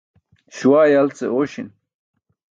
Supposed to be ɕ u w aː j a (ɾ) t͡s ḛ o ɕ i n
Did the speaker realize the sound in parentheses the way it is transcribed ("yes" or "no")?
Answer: no